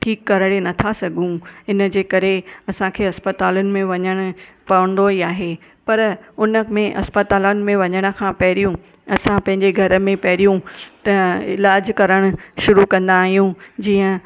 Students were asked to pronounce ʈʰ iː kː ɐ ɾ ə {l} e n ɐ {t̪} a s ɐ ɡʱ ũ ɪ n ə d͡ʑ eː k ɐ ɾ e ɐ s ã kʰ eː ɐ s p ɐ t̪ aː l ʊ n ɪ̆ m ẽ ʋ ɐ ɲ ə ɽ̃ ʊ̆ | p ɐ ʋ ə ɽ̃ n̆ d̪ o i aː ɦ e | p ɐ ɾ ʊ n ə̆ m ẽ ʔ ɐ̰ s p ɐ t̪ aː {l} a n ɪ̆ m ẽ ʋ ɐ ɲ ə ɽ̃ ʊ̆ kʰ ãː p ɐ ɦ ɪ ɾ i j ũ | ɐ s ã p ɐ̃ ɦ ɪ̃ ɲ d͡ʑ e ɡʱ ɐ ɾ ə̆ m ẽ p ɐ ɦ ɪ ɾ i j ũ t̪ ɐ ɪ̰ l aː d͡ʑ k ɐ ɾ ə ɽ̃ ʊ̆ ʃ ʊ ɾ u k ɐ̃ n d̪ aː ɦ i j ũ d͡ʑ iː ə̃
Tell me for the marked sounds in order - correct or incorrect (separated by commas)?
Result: incorrect, incorrect, correct